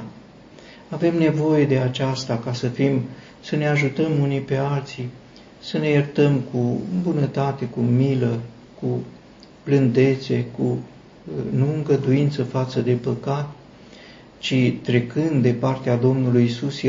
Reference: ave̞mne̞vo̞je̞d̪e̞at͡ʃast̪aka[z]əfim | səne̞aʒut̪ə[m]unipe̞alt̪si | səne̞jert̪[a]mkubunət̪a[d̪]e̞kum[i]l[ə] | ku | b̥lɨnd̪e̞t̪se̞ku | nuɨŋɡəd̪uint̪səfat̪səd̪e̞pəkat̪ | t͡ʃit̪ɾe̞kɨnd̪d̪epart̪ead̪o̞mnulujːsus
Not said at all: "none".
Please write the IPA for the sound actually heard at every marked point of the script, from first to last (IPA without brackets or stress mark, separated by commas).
s, m, ə, t̪, i, ə